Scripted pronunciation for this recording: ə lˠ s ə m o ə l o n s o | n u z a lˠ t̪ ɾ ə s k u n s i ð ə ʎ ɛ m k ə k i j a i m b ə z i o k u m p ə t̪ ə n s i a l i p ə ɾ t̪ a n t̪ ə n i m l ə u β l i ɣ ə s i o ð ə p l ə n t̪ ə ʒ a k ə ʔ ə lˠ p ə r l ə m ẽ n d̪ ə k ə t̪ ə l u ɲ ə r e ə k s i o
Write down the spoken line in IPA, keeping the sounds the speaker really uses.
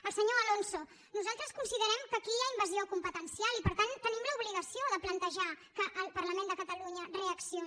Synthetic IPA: ə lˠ s ə ɲ o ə l o n s o | n u z a lˠ t̪ ɾ ə s k u n s i ð ə ɾ ɛ m k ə k i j a i m b ə z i o k u m p ə t̪ ə n s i a l i p ə ɾ t̪ a n t̪ ə n i m l ə u β l i ɣ ə s i o ð ə p l ə n t̪ ə ʒ a k ə ʔ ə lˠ p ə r l ə m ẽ n d̪ ə k ə t̪ ə l u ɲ ə r e ə k s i o